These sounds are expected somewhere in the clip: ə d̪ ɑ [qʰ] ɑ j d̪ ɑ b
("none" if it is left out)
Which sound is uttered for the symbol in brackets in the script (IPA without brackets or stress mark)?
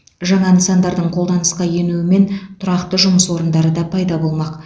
pʰ